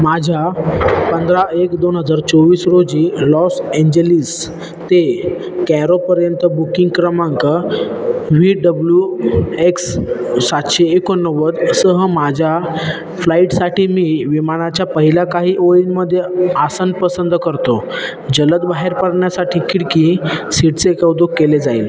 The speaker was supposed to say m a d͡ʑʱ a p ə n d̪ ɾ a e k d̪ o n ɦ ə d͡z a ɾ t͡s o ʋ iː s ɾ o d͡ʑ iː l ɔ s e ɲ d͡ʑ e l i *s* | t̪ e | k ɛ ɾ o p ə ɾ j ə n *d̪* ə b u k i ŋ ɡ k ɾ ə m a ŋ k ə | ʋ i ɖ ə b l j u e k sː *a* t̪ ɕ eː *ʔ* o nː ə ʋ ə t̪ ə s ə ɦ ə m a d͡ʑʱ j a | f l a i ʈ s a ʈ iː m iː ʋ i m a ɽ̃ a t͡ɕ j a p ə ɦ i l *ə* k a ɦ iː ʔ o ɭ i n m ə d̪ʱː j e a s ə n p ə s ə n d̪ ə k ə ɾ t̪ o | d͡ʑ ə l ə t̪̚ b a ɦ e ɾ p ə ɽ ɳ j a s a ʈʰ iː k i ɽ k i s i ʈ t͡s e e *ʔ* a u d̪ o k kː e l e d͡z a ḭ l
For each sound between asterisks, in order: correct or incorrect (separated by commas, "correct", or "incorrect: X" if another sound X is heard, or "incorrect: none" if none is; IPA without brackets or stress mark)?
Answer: correct, incorrect: t̪, correct, incorrect: k, incorrect: a, incorrect: k